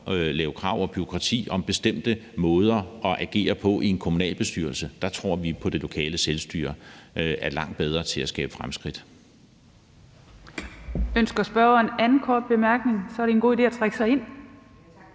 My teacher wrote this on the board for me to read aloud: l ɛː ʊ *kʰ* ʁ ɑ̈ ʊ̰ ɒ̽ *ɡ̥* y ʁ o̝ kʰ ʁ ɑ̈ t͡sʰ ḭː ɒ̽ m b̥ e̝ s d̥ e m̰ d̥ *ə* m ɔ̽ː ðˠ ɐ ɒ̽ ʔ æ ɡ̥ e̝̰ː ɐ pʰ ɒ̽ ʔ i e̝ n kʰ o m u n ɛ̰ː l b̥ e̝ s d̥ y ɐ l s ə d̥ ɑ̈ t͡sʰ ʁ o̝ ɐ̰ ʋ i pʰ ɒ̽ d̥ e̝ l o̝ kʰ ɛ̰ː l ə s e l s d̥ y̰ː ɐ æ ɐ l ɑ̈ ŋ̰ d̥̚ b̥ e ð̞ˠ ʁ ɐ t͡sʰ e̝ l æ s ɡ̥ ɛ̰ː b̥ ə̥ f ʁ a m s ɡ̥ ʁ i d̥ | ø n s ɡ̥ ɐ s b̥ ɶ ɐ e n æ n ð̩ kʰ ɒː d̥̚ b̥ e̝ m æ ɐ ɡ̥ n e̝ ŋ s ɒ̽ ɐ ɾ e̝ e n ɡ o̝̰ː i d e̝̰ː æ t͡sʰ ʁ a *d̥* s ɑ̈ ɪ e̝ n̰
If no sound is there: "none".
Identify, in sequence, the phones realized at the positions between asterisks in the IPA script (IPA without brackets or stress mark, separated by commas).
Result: kʰ, b̥, ə, ɡ̥